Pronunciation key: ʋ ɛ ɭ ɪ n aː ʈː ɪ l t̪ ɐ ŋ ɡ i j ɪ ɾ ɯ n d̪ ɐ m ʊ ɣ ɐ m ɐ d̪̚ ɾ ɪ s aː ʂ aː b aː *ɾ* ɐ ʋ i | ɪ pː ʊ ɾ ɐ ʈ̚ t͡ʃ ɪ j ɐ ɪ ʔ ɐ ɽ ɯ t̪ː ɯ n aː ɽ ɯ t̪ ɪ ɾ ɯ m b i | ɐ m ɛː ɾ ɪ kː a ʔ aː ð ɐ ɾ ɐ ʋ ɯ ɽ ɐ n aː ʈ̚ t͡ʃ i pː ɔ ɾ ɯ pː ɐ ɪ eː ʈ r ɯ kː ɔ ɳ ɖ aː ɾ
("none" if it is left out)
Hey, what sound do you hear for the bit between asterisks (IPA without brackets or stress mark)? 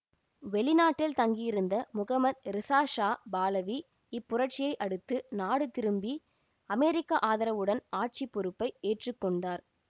l